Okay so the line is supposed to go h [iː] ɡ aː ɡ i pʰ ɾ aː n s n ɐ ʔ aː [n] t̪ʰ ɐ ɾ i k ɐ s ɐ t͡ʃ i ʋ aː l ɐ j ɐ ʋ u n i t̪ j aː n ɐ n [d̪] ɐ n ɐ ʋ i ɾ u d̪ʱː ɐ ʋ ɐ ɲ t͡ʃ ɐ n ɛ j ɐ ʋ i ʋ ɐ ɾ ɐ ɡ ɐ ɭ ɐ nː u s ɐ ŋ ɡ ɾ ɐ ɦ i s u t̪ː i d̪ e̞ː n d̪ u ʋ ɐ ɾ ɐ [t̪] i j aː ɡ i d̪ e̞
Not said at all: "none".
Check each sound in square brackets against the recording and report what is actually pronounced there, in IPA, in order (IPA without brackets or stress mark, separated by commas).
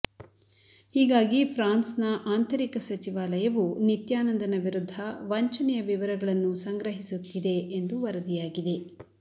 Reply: iː, n, d̪, d̪